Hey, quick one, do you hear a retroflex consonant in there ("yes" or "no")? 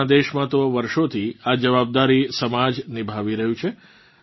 no